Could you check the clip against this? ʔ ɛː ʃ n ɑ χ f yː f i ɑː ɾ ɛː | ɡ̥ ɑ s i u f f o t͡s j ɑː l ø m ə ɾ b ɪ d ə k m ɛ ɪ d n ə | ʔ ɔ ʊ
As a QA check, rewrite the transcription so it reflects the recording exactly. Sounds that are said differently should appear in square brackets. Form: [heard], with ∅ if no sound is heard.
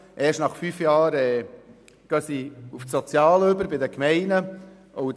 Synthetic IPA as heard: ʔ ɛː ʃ n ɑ χ f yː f [j] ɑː ɾ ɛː | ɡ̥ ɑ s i u f [s] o t͡s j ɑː l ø [b] ə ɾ b ɪ d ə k m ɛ ɪ [∅] n ə | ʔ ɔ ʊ